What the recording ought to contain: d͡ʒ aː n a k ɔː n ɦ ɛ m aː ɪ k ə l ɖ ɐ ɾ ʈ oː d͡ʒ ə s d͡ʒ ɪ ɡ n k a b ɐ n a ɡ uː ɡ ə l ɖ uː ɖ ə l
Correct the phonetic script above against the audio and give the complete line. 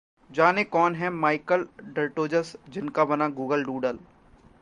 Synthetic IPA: d͡ʒ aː n e k ɔː n ɦ ɛ m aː ɪ k ə l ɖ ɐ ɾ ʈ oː d͡ʒ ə s d͡ʒ ɪ n k a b ɐ n a ɡ uː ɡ ə l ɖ uː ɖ ə l